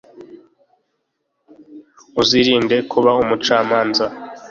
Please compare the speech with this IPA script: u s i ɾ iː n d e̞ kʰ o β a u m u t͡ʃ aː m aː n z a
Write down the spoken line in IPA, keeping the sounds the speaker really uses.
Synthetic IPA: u z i ɾ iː n d e̞ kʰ u β a u m u t͡ʃ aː m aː n z a